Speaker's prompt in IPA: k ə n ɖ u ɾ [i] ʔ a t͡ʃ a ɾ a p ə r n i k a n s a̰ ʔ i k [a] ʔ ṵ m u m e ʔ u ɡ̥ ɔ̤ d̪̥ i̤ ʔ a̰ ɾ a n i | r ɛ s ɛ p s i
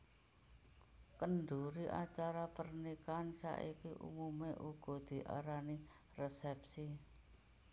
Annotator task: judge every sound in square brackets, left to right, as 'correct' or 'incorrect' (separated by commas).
correct, incorrect